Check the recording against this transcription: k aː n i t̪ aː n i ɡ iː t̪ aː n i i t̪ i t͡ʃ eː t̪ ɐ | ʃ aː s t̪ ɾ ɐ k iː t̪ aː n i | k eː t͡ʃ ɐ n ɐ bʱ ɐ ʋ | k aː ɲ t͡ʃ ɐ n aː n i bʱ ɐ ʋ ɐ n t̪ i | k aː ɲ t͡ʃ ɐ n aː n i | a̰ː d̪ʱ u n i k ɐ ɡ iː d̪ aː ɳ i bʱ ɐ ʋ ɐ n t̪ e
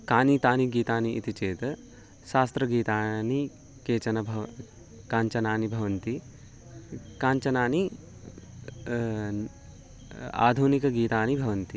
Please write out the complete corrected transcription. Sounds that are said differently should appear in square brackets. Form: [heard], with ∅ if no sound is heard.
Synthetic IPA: k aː n i t̪ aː n i ɡ iː t̪ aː n i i t̪ i t͡ʃ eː t̪ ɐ | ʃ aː s t̪ ɾ ɐ [ɡ] iː t̪ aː n i | k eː t͡ʃ ɐ n ɐ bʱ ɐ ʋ | k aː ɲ t͡ʃ ɐ n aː n i bʱ ɐ ʋ ɐ n t̪ i | k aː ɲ t͡ʃ ɐ n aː n i | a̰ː d̪ʱ u n i k ɐ ɡ iː [t̪] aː [n] i bʱ ɐ ʋ ɐ n t̪ [i]